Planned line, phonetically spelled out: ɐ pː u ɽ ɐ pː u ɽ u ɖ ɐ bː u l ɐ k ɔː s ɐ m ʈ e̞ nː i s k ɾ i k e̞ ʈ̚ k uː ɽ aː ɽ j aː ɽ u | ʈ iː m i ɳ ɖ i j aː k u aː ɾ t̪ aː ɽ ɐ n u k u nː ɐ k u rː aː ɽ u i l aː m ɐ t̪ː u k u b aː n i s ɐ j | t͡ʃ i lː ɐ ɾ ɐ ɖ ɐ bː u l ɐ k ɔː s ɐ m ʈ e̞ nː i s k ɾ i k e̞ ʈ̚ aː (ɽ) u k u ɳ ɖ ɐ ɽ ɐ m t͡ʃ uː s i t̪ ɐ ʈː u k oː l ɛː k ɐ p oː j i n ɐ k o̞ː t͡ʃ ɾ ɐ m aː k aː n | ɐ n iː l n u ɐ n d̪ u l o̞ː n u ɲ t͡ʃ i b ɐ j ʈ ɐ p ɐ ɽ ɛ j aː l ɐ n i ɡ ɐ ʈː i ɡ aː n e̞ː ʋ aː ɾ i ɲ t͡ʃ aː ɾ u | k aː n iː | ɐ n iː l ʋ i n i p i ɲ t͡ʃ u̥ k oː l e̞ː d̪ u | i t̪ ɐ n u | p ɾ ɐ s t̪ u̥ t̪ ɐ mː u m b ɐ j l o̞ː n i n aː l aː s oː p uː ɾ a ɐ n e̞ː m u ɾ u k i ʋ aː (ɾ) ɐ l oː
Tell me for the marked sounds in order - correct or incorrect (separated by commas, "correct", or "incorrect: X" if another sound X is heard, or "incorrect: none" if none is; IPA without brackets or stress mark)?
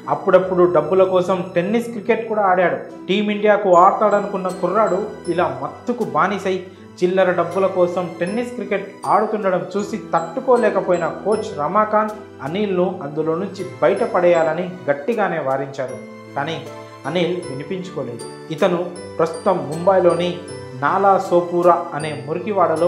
correct, incorrect: ɽ